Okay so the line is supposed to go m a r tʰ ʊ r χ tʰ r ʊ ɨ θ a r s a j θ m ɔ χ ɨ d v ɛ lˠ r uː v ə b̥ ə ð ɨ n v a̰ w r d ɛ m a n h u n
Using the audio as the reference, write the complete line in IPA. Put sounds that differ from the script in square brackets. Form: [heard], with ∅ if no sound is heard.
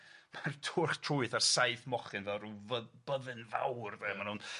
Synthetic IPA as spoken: m a r tʰ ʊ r χ tʰ r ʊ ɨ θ a r s a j θ m ɔ χ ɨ [n] v ɛ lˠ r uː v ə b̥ ə ð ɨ n v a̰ w r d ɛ m a n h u n